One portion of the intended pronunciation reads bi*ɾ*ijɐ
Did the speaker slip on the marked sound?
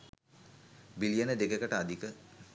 yes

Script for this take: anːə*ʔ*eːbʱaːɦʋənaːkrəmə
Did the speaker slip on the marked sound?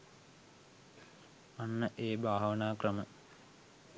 no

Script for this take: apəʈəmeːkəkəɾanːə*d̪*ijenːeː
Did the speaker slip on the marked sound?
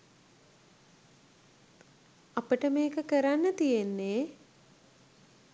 yes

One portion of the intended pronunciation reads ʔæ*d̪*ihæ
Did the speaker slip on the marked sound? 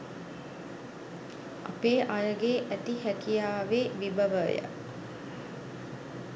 yes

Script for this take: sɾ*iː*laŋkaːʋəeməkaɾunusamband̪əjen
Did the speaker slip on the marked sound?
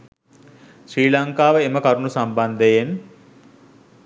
no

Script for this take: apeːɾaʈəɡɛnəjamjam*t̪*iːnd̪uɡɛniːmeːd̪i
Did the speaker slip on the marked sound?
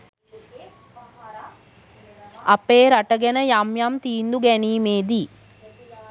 no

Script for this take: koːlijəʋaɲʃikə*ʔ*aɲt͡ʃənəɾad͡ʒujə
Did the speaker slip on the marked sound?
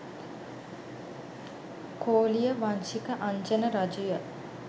no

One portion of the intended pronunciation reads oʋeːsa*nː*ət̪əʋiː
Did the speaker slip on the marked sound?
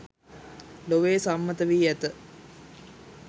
yes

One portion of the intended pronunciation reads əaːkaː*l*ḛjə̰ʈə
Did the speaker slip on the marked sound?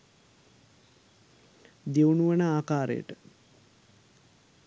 yes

